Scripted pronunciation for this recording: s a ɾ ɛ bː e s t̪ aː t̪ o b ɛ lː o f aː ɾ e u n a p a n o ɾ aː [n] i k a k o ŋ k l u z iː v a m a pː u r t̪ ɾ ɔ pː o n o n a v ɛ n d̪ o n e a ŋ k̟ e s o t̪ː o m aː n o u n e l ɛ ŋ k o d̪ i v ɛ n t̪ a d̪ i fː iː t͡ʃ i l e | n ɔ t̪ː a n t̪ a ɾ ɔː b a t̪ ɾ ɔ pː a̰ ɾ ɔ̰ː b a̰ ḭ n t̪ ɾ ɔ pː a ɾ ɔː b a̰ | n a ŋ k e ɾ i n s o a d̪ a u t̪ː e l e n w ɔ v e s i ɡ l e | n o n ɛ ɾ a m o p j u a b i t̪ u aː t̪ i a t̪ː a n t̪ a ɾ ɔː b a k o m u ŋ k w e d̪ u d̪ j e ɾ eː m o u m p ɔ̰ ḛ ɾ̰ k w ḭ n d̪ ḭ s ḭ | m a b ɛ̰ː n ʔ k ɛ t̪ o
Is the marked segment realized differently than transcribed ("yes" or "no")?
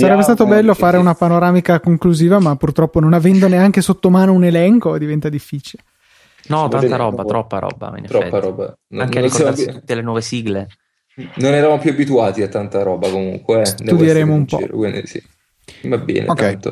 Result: yes